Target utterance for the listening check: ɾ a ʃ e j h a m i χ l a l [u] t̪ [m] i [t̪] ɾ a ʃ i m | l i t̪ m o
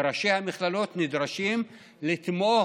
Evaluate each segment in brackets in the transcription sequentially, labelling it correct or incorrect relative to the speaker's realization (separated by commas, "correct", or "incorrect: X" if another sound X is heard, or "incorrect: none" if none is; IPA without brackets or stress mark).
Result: incorrect: o, incorrect: n, incorrect: d̪